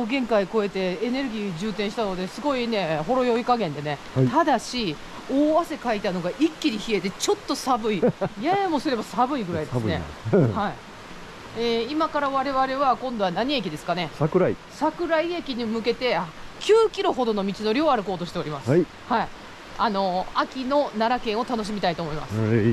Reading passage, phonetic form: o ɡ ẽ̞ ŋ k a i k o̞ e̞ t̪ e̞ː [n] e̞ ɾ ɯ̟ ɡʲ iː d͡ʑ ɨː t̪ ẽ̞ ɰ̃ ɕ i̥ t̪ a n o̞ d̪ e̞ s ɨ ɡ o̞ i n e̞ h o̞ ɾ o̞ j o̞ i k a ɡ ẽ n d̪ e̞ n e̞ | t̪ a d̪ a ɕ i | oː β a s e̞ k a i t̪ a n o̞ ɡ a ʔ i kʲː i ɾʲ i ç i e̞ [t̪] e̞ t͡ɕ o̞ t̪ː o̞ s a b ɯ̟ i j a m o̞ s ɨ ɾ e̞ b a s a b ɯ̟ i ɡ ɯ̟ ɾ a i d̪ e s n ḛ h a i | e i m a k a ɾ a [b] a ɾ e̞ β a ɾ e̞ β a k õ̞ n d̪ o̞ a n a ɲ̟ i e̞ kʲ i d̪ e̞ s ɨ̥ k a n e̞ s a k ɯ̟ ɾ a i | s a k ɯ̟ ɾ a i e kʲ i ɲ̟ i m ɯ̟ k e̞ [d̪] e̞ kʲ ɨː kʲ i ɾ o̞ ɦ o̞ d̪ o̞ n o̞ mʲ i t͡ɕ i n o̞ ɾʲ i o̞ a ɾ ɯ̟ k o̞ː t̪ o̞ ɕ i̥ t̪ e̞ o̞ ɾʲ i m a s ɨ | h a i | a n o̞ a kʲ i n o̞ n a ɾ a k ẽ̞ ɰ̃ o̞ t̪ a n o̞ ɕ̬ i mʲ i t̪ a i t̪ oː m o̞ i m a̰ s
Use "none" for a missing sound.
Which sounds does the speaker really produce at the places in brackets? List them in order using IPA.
n, t̪, β, t̪

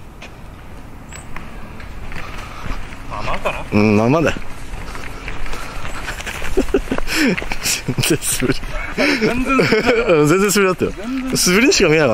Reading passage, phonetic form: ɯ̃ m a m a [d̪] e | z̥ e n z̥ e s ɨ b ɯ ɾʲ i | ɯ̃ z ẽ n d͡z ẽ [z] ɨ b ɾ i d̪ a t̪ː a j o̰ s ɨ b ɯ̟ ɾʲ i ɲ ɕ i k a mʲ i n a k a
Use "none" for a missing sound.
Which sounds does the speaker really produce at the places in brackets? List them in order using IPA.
d̪, s

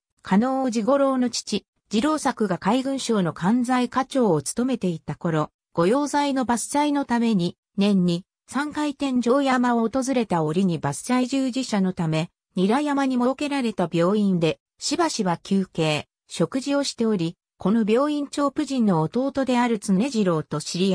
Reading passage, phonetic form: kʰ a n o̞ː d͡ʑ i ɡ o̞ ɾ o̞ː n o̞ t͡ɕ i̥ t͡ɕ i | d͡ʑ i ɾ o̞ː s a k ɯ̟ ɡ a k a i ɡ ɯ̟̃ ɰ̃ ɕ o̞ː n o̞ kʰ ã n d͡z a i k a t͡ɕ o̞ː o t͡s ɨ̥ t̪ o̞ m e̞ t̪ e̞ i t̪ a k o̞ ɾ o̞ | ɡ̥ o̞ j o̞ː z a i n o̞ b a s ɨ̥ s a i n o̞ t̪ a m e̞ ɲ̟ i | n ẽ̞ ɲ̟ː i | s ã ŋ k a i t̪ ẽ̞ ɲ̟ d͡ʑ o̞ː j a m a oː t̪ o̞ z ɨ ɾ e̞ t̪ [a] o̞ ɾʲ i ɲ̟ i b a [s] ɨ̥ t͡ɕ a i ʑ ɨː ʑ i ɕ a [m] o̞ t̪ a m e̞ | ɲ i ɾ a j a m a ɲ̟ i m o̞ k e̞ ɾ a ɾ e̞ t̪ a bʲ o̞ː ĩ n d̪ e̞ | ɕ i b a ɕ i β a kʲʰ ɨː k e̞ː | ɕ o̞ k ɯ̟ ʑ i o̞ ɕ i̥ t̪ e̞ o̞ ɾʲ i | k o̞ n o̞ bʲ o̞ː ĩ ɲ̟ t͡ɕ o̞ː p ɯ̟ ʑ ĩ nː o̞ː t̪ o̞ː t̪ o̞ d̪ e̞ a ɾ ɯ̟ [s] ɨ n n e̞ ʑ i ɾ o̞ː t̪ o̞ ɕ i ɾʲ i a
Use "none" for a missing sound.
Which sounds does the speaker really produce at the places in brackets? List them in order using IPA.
a, s, n, t͡s

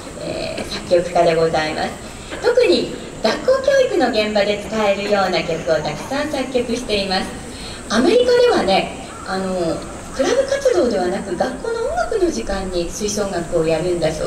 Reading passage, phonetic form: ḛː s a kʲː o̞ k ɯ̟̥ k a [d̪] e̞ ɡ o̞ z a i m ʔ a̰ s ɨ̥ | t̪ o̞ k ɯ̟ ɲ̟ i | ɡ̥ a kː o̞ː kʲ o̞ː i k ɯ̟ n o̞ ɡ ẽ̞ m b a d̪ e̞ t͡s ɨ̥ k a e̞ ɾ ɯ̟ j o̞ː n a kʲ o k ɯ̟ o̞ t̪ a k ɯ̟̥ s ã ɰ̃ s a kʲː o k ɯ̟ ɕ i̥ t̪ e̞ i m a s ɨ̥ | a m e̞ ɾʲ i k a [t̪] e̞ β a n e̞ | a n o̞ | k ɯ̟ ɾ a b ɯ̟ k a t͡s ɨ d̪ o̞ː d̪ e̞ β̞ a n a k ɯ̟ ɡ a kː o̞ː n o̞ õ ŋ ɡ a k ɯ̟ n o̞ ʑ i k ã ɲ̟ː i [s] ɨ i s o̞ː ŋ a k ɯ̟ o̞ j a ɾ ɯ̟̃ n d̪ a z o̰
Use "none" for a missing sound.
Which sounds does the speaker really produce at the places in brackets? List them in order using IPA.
d̪, d̪, s

